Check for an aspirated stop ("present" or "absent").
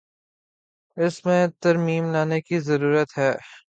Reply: absent